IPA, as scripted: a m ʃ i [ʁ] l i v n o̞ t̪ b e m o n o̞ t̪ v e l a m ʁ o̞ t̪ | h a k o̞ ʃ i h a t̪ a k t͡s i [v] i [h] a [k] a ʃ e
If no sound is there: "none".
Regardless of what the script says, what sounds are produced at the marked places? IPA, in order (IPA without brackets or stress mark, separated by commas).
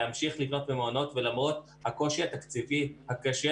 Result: χ, v, h, k